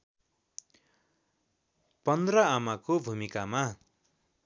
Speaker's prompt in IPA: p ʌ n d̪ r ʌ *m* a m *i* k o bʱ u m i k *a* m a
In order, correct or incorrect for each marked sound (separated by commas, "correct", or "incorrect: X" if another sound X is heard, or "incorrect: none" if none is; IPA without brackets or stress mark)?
incorrect: none, incorrect: a, correct